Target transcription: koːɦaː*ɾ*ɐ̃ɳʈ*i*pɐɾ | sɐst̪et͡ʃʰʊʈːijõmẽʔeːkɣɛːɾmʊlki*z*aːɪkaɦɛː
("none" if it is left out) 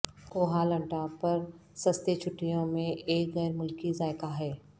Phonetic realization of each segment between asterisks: l, a, z

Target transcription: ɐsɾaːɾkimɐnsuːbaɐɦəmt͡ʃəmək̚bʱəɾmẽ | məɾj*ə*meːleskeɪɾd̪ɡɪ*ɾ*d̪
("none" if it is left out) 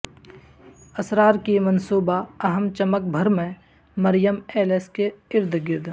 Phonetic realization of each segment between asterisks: ə, ɾ

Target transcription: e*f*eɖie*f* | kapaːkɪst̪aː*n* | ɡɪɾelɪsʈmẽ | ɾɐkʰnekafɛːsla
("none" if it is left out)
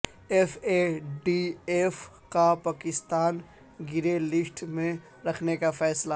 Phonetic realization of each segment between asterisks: f, f, n

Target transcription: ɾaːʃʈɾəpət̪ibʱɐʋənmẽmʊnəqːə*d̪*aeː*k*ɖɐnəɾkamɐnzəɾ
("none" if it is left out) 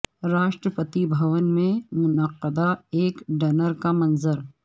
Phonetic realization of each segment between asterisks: d̪, k

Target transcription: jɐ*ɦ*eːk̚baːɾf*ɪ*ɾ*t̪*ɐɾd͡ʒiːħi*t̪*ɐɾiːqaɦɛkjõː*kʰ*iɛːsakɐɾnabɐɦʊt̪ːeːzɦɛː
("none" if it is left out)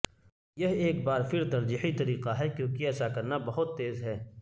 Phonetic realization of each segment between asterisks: ɦ, ɪ, t̪, t̪, k

